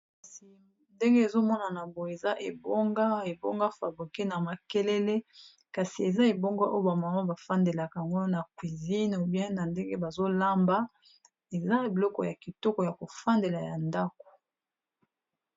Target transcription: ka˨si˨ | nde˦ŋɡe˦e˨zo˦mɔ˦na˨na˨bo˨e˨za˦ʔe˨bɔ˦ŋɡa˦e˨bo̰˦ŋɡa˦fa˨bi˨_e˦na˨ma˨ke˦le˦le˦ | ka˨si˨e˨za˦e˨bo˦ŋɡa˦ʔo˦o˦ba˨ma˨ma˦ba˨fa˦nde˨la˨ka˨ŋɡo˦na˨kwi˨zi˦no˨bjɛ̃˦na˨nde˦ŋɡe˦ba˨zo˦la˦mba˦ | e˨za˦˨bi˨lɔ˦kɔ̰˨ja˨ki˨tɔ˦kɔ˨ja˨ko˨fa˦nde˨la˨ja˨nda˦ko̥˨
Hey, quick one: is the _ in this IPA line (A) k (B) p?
A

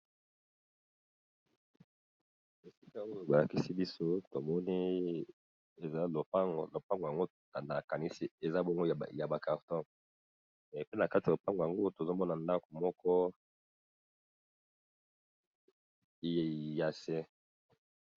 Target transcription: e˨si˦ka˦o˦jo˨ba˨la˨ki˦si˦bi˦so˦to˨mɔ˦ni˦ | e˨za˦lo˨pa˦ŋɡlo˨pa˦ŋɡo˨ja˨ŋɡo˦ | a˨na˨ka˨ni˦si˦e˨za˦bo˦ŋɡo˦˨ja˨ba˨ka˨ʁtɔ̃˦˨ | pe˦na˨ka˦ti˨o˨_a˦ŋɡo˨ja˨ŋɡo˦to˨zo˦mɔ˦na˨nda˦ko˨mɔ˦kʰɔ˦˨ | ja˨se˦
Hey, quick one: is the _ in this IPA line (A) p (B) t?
A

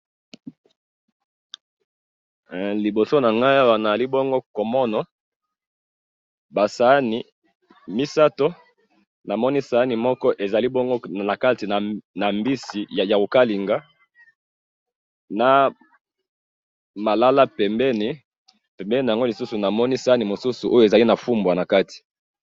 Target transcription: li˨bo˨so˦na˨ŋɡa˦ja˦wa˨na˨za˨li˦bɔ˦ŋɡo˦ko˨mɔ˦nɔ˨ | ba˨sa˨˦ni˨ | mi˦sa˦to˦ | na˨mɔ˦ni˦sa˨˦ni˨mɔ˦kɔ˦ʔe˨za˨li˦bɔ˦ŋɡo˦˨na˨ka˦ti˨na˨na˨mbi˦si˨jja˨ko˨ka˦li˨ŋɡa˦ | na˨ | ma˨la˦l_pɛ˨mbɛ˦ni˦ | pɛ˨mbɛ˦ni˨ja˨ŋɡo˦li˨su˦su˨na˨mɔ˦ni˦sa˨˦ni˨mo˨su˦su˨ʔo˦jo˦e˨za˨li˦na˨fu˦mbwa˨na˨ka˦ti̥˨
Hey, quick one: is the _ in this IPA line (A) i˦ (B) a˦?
B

